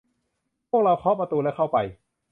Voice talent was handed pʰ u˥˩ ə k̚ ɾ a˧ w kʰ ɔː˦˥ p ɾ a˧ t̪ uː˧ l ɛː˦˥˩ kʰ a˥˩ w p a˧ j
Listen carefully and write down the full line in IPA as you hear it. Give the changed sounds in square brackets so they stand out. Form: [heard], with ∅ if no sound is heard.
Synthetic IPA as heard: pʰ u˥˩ ə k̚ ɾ a˧ w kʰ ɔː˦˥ p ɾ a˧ t̪ uː˧ l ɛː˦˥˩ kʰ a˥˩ w p a˧ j